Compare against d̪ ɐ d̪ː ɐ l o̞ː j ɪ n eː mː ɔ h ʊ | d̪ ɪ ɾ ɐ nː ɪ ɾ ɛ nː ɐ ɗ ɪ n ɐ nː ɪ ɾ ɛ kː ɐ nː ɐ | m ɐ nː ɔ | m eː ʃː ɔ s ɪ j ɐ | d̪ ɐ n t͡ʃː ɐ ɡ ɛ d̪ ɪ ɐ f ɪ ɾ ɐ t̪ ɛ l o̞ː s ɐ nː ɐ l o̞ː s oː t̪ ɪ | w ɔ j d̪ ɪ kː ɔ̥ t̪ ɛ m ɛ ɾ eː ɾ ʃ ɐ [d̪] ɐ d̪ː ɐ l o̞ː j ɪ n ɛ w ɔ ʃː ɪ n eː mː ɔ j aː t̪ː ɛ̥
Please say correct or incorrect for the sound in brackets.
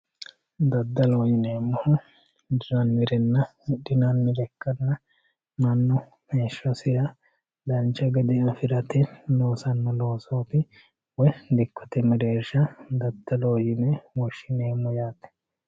correct